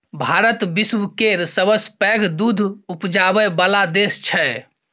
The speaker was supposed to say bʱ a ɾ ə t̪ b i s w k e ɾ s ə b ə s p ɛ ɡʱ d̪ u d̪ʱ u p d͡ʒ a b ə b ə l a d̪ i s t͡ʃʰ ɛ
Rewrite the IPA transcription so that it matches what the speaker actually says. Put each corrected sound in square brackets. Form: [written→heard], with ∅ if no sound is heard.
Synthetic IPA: bʱ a ɾ ə t̪ b i s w k e ɾ s ə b ə s p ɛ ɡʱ d̪ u d̪ʱ u p d͡ʒ a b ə b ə l a d̪ [i→e] s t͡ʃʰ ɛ